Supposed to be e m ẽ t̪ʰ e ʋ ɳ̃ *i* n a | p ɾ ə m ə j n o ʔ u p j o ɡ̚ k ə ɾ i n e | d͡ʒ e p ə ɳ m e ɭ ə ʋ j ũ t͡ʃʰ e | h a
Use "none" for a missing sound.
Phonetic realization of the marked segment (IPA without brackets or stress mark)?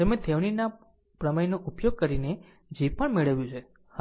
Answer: i